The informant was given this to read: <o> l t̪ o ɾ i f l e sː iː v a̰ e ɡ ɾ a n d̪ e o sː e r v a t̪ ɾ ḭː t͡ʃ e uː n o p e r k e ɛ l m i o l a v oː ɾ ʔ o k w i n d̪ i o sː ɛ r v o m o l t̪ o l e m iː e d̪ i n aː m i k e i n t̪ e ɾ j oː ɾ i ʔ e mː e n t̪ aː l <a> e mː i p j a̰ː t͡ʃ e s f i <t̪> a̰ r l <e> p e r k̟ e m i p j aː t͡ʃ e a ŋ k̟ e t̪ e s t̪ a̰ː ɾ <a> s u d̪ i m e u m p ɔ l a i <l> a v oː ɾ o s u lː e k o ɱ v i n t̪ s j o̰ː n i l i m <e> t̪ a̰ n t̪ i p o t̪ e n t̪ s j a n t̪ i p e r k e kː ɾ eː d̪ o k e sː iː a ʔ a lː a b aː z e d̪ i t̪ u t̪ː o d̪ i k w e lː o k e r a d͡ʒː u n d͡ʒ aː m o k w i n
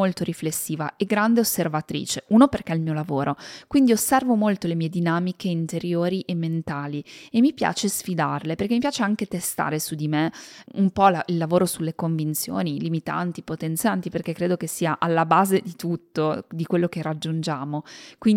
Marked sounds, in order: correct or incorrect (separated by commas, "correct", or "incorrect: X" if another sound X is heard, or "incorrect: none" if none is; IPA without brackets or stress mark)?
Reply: correct, incorrect: i, incorrect: d̪, correct, incorrect: e, incorrect: lː, incorrect: i